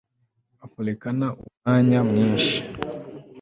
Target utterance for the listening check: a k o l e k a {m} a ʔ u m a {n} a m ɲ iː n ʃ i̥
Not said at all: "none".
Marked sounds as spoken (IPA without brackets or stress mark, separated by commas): n, ɲ